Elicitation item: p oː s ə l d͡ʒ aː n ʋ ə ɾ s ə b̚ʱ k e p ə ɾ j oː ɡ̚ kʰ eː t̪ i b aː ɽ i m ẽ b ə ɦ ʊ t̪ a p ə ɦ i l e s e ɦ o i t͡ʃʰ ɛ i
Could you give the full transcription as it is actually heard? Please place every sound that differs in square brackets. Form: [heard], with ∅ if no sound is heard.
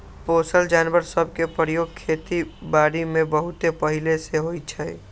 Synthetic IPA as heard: p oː s ə l d͡ʒ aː n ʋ ə ɾ s ə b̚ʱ k e p ə ɾ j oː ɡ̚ kʰ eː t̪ i b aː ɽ i m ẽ b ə ɦ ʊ t̪ [e] p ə ɦ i l e s e ɦ o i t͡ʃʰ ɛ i